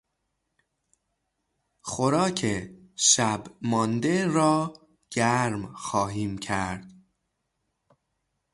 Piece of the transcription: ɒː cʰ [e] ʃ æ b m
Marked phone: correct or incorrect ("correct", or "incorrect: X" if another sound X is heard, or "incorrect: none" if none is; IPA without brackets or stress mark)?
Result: correct